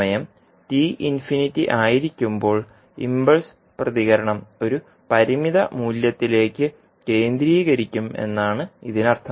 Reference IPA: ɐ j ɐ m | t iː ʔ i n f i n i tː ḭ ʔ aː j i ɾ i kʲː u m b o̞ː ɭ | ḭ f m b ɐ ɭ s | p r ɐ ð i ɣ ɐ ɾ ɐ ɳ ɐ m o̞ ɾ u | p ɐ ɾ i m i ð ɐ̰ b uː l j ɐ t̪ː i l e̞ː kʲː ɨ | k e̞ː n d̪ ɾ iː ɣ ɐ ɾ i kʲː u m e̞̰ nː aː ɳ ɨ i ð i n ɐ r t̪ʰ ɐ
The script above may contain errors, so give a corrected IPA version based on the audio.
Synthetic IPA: ɐ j ɐ m | t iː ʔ i n f i n i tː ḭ ʔ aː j i ɾ i kʲː u m b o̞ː ɭ | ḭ m b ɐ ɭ s | p r ɐ ð i ɣ ɐ ɾ ɐ ɳ ɐ m o̞ ɾ u | p ɐ ɾ i m i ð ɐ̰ m uː l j ɐ t̪ː i l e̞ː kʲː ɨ | k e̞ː n d̪ ɾ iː ɣ ɐ ɾ i kʲː u m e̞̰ nː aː ɳ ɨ i ð i n ɐ r t̪ʰ ɐ